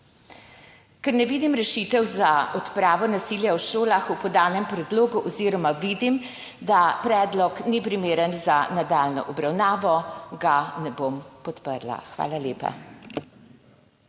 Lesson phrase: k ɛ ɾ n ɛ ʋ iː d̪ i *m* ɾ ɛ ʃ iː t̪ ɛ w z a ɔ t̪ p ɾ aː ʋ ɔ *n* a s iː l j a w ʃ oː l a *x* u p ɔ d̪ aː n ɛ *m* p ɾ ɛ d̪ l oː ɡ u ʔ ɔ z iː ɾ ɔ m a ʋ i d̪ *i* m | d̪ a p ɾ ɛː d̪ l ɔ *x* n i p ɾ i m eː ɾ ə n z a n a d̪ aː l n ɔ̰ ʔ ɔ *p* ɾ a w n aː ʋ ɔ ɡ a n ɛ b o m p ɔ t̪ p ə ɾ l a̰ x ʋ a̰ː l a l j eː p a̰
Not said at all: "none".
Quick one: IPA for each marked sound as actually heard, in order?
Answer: m, n, x, m, i, k, b

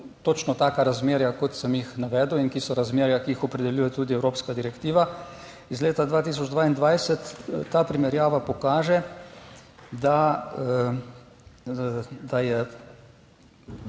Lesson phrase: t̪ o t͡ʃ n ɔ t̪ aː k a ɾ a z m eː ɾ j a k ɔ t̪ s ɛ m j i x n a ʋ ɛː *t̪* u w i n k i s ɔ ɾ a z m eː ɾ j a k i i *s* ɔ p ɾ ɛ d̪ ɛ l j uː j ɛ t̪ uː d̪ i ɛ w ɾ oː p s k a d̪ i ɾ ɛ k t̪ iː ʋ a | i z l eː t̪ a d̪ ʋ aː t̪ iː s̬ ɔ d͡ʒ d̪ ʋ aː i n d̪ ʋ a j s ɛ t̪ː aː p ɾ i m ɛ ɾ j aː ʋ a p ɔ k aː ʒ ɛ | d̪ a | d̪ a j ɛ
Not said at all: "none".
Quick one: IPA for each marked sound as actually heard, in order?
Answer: d̪, x

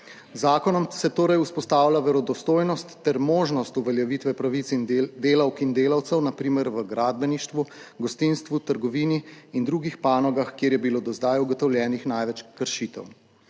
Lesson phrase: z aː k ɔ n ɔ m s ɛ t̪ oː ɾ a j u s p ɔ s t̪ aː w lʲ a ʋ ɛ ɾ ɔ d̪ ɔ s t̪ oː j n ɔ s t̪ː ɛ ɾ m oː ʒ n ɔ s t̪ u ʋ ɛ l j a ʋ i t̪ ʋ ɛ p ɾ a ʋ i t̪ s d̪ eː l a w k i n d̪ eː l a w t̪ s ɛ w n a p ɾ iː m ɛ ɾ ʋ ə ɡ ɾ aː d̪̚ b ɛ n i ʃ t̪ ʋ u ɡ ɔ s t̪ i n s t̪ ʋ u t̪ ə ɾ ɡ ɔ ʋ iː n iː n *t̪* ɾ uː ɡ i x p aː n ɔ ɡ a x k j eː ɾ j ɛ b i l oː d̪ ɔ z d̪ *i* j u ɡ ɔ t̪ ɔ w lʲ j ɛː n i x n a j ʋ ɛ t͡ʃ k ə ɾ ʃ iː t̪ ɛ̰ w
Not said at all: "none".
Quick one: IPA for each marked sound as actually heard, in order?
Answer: d̪, a

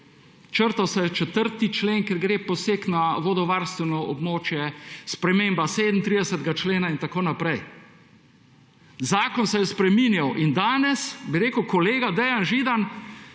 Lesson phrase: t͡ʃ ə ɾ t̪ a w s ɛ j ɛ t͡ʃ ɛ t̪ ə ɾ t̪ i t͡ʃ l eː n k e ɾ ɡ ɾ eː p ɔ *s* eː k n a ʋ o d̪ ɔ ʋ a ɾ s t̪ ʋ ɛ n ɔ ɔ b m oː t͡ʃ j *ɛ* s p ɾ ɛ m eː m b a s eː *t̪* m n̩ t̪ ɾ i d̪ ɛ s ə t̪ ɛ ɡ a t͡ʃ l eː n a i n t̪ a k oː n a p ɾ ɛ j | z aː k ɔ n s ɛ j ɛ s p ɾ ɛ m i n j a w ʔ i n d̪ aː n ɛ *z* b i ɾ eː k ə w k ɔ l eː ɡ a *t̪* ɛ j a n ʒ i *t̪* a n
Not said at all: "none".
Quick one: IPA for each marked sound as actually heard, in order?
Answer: s, ɛ, d̪, s, d̪, d̪

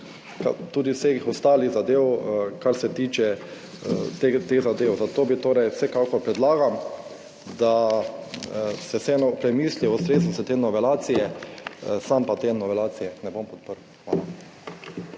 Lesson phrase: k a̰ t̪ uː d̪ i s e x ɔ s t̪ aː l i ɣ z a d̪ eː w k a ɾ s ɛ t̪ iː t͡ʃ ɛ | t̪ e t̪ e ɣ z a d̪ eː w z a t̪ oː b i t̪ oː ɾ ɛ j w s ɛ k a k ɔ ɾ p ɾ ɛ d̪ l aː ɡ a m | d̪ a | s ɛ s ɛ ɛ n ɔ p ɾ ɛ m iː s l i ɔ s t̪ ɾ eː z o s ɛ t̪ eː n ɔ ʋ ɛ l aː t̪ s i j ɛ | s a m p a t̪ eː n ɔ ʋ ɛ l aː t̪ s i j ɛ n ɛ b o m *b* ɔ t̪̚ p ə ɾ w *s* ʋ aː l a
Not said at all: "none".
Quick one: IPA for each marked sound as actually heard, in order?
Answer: p, x

